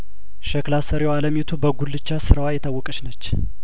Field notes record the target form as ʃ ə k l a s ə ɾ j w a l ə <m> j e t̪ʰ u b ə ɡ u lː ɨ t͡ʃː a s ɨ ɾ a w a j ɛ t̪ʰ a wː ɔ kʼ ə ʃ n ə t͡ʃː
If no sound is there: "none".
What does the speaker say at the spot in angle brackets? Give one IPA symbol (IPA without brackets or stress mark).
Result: m